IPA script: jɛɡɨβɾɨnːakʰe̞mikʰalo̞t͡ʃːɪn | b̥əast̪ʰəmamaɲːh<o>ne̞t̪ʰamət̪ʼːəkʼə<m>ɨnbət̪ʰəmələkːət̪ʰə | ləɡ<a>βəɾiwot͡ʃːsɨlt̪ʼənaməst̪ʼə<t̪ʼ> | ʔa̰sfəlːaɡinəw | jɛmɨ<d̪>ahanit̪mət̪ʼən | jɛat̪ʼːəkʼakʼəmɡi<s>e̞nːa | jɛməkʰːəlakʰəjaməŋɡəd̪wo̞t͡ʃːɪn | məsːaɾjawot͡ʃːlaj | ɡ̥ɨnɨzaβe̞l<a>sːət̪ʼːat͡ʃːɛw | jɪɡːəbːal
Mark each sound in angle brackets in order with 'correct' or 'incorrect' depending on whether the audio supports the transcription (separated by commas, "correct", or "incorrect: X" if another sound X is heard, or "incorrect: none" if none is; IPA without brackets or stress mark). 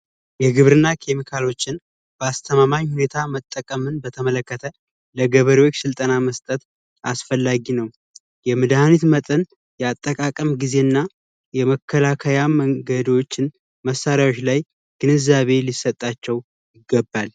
incorrect: u, correct, incorrect: ə, incorrect: t̪, correct, incorrect: z, incorrect: i